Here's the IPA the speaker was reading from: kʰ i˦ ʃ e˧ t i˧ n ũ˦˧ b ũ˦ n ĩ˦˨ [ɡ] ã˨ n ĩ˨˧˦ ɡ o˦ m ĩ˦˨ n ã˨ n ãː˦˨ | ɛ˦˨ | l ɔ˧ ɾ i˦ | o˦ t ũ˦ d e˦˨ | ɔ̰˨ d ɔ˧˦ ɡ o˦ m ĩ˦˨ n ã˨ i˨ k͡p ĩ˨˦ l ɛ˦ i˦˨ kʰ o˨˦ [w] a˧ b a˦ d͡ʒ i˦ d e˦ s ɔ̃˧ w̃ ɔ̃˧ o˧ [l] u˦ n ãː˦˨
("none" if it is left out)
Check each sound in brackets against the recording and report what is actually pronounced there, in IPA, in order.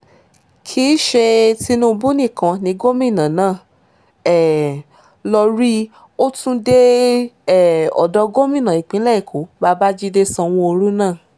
k, b, ɾ

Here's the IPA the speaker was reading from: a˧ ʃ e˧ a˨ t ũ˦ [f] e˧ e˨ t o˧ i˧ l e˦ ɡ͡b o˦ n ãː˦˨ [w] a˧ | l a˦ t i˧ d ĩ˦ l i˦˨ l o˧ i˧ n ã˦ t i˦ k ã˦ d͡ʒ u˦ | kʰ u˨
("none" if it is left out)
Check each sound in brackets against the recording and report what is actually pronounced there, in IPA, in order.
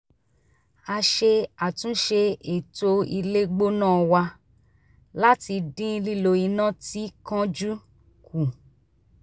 ʃ, w

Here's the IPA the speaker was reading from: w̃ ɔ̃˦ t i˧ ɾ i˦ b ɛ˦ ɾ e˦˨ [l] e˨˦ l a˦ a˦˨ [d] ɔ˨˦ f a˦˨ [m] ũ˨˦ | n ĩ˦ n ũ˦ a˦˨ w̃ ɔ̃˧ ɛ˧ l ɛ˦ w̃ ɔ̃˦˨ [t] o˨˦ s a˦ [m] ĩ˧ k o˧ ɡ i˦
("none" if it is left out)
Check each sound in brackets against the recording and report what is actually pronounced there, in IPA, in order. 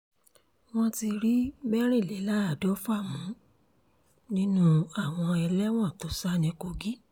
l, d, m, t, n

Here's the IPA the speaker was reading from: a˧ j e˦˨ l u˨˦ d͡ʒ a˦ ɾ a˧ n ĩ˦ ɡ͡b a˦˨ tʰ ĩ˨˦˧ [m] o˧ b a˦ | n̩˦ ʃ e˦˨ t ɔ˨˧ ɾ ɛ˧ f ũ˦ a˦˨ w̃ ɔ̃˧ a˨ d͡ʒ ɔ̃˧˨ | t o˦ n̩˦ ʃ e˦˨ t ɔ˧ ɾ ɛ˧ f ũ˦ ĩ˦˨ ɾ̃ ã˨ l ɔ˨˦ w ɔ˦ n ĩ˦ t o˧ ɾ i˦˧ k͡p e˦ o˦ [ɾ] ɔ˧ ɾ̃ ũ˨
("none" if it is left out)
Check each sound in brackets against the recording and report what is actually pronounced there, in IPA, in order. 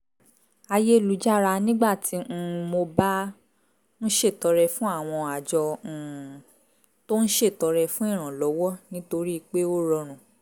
m, ɾ

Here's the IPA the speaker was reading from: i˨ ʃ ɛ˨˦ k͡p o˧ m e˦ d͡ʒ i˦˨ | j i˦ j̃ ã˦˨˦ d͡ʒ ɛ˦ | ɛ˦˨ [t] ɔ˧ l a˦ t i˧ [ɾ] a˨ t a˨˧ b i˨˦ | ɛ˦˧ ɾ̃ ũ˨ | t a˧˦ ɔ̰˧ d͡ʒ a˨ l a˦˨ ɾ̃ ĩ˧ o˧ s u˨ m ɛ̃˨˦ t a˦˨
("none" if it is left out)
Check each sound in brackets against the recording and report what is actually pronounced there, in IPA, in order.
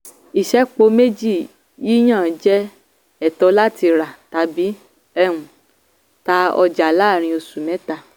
t, ɾ

